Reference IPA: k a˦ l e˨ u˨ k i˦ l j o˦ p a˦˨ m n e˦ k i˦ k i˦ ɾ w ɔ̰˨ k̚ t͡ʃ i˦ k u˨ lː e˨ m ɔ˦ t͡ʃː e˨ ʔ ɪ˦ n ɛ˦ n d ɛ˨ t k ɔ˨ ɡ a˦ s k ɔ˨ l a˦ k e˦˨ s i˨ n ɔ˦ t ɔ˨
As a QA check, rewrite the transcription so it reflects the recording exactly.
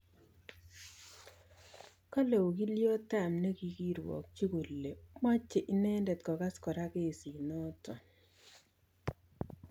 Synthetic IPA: k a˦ l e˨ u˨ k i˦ l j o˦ t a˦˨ m n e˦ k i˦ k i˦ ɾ w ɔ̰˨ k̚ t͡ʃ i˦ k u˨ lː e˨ m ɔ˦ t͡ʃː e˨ ʔ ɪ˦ n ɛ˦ n d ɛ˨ t k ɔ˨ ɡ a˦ s k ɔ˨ ɾ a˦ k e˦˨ s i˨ n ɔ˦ t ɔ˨